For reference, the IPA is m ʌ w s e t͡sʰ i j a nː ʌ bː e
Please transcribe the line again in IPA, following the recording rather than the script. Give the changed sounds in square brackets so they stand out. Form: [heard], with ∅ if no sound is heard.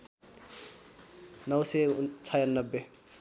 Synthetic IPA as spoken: [n] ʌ w s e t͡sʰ [a] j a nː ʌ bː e